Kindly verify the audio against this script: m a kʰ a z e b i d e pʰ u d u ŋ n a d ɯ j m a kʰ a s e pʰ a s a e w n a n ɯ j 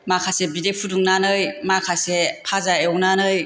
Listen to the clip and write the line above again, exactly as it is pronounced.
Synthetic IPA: m a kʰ a s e b i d e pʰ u d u ŋ n a n ɯ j m a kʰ a s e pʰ a z a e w n a n ɯ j